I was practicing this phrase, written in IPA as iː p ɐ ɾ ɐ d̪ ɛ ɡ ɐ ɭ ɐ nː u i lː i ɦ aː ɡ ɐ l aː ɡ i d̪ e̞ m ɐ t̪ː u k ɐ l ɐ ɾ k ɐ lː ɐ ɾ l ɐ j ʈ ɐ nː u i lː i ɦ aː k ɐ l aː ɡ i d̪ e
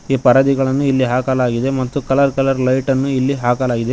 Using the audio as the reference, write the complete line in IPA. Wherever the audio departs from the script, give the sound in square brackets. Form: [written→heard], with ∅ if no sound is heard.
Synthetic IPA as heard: iː p ɐ ɾ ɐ d̪ [ɛ→i] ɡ ɐ ɭ ɐ nː u i lː i ɦ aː [ɡ→k] ɐ l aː ɡ i d̪ e̞ m ɐ t̪ː u k ɐ l ɐ ɾ k ɐ [lː→l] ɐ ɾ l ɐ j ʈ ɐ nː u i lː i ɦ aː k ɐ l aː ɡ i d̪ e

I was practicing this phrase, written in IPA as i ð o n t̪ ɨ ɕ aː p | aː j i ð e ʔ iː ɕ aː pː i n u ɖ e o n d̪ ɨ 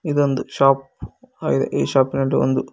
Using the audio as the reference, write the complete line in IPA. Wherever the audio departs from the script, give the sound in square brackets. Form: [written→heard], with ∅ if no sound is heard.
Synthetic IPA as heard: i ð o n [t̪→d̪] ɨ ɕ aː p | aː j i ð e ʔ iː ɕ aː pː i n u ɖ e o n d̪ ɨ

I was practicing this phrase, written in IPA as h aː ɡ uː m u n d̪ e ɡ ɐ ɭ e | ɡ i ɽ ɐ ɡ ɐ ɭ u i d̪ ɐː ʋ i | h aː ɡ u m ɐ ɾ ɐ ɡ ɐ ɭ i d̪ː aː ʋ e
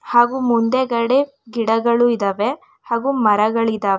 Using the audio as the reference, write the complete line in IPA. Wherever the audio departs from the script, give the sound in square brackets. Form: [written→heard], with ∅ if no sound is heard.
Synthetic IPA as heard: h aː ɡ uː m u n d̪ e ɡ ɐ [ɭ→ɽ] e | ɡ i ɽ ɐ ɡ ɐ ɭ u i d̪ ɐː ʋ [i→e] | h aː ɡ u m ɐ ɾ ɐ ɡ ɐ ɭ i [d̪ː→d̪] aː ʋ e

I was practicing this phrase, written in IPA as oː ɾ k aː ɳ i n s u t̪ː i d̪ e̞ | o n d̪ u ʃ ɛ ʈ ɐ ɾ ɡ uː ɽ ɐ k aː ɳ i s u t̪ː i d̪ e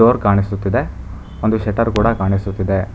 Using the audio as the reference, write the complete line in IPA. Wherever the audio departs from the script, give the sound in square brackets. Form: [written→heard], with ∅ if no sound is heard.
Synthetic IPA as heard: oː ɾ k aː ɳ i [n→∅] s u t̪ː i d̪ e̞ | o n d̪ u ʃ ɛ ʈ ɐ ɾ [ɡ→k] uː ɽ ɐ k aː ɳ i s u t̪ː i d̪ e

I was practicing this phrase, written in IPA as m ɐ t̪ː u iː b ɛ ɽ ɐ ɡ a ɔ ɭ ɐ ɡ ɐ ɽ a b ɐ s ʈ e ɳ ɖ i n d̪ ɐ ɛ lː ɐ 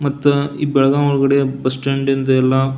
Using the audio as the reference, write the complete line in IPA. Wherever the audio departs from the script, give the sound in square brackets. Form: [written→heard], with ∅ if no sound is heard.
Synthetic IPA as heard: m ɐ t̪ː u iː b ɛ [ɽ→ɭ] ɐ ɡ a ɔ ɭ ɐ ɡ ɐ ɽ [a→e] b ɐ s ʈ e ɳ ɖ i n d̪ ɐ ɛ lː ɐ

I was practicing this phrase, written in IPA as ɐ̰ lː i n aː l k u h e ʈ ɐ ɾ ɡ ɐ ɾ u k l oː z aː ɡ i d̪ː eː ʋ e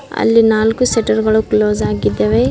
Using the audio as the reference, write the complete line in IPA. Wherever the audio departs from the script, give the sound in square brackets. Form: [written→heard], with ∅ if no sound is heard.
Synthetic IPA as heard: ɐ̰ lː i n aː l k u [h→s] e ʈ ɐ ɾ ɡ ɐ [ɾ→ɭ] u k l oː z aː ɡ i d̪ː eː ʋ e

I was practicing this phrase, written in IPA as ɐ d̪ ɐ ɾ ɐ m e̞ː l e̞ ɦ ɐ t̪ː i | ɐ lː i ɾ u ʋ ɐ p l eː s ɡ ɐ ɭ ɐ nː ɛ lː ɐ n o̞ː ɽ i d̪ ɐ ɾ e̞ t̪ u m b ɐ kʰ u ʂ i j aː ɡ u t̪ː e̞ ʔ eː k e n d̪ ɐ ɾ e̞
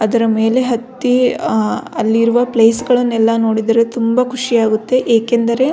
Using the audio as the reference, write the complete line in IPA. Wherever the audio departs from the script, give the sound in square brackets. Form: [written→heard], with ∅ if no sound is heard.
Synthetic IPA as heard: ɐ d̪ ɐ ɾ ɐ m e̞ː l e̞ ɦ ɐ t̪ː i | ɐ lː i ɾ u ʋ ɐ p l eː s ɡ ɐ ɭ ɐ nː ɛ lː ɐ n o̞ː ɽ i d̪ ɐ ɾ e̞ t̪ u m b ɐ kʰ u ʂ i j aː ɡ u t̪ː e̞ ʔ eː k e n d̪ ɐ ɾ e̞

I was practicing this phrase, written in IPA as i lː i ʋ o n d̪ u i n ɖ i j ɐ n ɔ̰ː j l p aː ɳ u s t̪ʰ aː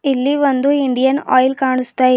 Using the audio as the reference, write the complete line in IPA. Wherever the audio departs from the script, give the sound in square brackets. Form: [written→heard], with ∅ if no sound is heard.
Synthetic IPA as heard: i lː i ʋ o n d̪ u i [n→ɳ] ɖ i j ɐ n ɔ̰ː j l [p→k] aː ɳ u s [t̪ʰ→t̪] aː

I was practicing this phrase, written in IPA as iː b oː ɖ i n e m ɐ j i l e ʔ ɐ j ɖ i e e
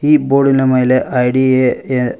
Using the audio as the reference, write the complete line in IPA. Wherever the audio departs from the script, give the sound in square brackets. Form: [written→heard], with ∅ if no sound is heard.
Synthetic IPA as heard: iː b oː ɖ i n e m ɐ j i l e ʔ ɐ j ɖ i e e

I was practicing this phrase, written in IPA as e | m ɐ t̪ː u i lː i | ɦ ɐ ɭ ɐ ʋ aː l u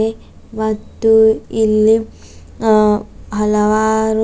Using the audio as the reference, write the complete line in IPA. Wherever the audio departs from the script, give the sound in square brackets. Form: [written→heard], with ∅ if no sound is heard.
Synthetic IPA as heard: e | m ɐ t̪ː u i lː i | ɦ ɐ [ɭ→l] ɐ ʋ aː [l→ɾ] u

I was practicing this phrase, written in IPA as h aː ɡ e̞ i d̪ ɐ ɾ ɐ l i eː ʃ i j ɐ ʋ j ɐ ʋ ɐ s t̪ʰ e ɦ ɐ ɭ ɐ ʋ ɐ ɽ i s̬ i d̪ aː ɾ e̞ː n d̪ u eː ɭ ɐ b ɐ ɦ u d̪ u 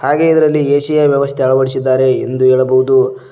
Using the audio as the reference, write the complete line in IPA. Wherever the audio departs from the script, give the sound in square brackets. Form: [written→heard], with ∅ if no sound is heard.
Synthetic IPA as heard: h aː ɡ e̞ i d̪ ɐ ɾ ɐ [l→lː] i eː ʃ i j ɐ ʋ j ɐ ʋ ɐ s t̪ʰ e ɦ ɐ ɭ ɐ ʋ ɐ ɽ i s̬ i [d̪→d̪ː] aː ɾ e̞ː n d̪ u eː ɭ ɐ b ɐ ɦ u d̪ u

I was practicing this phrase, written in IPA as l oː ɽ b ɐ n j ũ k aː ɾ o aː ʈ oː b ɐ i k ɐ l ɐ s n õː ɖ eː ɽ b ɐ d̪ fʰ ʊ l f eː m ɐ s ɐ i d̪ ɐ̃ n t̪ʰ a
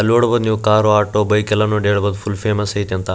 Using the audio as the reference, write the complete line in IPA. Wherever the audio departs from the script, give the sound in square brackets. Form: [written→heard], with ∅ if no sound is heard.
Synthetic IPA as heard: l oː ɽ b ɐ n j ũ k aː ɾ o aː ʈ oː b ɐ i k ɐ l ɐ [s→∅] n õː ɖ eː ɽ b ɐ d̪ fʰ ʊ l f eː m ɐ s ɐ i [d̪→t̪] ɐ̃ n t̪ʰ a

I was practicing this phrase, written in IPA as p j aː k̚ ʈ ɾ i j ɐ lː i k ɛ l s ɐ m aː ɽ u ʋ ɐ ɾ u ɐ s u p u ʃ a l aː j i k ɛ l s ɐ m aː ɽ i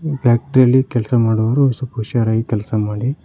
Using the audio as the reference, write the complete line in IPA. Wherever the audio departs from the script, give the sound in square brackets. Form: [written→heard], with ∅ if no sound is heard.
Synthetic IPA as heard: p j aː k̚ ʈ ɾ i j ɐ lː i k ɛ l s ɐ m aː ɽ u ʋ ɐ ɾ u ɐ s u p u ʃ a [l→ɾ] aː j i k ɛ l s ɐ m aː ɽ i

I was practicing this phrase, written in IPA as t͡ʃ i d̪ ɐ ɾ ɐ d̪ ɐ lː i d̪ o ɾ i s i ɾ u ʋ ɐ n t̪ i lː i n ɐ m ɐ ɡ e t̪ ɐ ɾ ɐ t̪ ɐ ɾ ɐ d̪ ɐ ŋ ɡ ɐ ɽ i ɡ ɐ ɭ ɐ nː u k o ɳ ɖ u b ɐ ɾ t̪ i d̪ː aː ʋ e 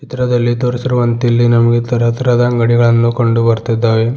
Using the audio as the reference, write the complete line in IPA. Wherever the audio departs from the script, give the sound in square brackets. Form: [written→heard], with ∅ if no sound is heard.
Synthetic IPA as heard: t͡ʃ i [d̪→t̪] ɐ ɾ ɐ d̪ ɐ lː i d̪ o ɾ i s i ɾ u ʋ ɐ n t̪ i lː i n ɐ m ɐ ɡ e t̪ ɐ ɾ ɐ t̪ ɐ ɾ ɐ d̪ ɐ ŋ ɡ ɐ ɽ i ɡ ɐ ɭ ɐ nː u k o ɳ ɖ u b ɐ ɾ t̪ i d̪ː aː ʋ e

